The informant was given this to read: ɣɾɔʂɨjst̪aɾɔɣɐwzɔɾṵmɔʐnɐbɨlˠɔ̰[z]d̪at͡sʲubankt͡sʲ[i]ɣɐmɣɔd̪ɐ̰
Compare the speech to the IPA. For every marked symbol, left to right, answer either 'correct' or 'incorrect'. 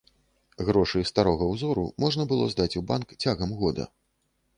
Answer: correct, incorrect: a

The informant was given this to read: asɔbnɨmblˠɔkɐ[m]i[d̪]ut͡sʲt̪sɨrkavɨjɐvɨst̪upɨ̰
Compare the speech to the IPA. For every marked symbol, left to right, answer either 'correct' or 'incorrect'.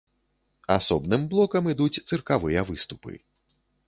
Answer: correct, correct

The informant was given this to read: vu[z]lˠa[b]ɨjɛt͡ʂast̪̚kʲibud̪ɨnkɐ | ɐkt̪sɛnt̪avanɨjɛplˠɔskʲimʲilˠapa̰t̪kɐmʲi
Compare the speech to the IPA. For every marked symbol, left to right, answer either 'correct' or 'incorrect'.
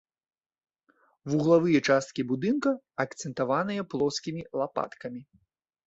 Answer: incorrect: ɣ, incorrect: v

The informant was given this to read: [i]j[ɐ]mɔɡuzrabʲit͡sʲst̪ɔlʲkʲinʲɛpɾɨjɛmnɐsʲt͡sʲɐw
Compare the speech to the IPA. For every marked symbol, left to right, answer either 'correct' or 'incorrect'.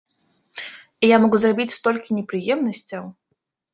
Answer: correct, incorrect: a

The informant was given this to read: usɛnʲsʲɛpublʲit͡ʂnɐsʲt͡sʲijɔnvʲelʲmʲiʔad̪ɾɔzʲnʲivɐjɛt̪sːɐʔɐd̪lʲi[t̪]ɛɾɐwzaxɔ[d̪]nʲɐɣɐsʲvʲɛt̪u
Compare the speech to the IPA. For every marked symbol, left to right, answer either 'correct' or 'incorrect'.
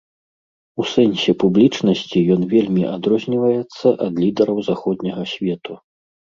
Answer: incorrect: d̪, correct

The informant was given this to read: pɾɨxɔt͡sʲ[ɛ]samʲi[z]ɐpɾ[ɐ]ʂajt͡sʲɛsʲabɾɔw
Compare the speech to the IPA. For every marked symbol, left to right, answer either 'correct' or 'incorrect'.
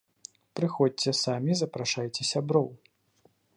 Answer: correct, correct, incorrect: a

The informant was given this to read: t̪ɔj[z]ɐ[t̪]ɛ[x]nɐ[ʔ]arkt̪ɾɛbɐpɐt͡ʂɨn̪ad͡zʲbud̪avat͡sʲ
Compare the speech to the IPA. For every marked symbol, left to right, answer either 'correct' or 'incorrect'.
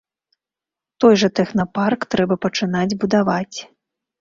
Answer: incorrect: ʐ, correct, correct, incorrect: p

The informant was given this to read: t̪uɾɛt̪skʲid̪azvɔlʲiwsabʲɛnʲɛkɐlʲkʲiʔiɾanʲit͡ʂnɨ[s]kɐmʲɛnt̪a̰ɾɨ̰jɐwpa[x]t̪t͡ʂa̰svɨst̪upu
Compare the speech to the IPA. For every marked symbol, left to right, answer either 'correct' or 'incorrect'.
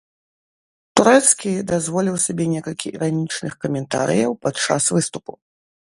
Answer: incorrect: x, incorrect: none

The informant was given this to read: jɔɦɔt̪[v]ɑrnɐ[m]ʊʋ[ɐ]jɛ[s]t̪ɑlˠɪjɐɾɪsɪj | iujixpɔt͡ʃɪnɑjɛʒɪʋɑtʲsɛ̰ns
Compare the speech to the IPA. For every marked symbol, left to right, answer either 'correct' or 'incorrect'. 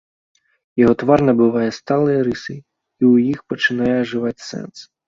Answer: incorrect: ʋ, incorrect: b, incorrect: ɑ, correct

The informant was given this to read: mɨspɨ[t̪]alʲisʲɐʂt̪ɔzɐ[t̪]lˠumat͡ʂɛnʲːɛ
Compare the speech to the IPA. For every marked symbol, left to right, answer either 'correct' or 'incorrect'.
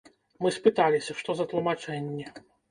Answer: correct, correct

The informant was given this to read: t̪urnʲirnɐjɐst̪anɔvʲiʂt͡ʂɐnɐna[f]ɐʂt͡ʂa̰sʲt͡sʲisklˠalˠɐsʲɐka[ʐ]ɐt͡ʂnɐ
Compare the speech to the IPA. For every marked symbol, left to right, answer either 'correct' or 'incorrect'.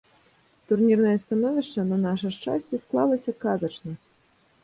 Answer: incorrect: ʂ, incorrect: z

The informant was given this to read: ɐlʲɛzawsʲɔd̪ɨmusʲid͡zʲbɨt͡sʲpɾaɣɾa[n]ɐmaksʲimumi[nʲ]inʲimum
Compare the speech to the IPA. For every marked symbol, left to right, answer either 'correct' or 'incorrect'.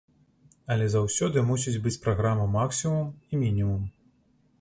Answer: incorrect: m, incorrect: mʲ

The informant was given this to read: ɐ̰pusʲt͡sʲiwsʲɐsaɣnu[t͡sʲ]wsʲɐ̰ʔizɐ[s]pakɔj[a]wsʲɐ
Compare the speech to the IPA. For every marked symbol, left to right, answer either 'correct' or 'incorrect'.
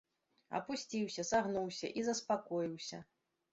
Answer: incorrect: none, correct, incorrect: i

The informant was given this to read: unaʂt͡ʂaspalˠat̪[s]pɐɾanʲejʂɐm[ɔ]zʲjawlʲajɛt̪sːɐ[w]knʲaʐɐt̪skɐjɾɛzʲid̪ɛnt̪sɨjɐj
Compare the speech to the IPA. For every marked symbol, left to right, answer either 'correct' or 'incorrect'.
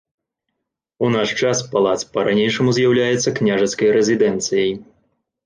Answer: correct, incorrect: u, incorrect: none

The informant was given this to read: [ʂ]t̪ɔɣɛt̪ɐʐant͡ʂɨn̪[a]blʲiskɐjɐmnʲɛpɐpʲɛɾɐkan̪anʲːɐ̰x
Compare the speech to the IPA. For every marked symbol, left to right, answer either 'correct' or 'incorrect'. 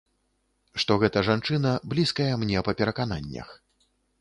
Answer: correct, incorrect: ɐ

